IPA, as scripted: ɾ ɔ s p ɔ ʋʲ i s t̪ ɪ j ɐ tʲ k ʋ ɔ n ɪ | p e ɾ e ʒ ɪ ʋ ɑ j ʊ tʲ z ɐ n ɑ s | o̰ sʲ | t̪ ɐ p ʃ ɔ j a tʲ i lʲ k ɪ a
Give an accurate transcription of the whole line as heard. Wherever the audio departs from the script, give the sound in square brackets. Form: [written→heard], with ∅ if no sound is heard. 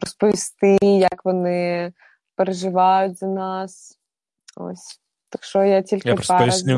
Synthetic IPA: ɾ ɔ s p ɔ ʋʲ i s t̪ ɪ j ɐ [tʲ→∅] k ʋ ɔ n ɪ | p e ɾ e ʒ ɪ ʋ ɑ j ʊ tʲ z ɐ n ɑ s | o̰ sʲ | t̪ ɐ [p→k] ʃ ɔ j a tʲ i lʲ k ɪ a